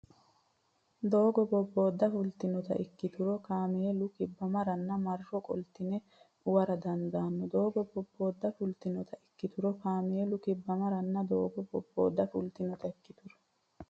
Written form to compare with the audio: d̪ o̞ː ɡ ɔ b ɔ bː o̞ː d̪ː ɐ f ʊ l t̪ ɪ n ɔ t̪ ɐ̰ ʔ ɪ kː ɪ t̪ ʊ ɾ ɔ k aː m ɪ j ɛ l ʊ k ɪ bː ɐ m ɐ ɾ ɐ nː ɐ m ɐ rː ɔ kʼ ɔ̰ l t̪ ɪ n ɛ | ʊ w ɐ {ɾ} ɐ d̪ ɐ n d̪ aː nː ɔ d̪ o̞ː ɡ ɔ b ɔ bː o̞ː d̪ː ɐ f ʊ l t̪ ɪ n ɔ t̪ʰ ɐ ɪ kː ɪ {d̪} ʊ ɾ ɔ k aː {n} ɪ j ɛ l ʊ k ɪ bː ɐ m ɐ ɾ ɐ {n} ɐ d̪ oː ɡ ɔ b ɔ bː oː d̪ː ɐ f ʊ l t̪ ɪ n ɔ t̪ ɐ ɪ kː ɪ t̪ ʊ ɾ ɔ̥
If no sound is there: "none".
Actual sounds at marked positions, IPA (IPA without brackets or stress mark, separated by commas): ɾ, t̪, m, nː